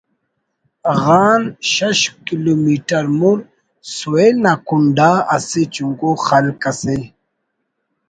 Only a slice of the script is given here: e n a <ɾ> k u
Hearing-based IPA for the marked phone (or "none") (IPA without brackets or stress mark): none